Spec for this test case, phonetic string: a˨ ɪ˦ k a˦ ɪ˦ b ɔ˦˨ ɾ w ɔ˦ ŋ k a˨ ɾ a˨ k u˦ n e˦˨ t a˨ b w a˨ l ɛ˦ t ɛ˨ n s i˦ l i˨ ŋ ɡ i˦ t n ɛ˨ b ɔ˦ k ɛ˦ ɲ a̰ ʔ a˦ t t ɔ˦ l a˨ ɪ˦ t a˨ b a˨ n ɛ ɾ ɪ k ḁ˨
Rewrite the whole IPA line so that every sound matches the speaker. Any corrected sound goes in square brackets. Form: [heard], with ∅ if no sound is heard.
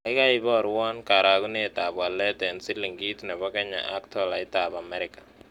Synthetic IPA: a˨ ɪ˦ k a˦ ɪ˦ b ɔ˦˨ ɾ w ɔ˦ [n] k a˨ ɾ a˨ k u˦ n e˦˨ t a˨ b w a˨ l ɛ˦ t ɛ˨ n s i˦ l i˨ ŋ ɡ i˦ t n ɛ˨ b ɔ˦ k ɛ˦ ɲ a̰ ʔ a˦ [k] t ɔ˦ l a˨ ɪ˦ t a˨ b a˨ [m] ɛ ɾ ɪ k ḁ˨